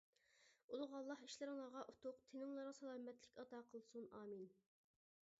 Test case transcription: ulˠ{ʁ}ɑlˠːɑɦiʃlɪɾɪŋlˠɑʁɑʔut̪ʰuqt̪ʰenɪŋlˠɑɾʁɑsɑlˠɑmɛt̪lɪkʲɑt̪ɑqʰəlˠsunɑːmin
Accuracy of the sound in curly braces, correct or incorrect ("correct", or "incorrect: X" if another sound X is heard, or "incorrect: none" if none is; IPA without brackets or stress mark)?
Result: correct